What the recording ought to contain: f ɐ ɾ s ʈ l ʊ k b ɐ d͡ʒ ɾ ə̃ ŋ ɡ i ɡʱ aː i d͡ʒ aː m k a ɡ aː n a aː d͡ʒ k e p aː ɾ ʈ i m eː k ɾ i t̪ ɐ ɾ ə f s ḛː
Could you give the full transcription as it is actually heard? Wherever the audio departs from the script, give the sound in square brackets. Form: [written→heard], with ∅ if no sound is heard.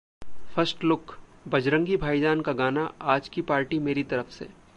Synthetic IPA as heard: f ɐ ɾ s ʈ l ʊ k b ɐ d͡ʒ ɾ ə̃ ŋ ɡ i [ɡʱ→bʱ] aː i d͡ʒ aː [m→n] k a ɡ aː n a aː d͡ʒ k [e→i] p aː ɾ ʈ i m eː [k→∅] ɾ i t̪ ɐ ɾ ə f s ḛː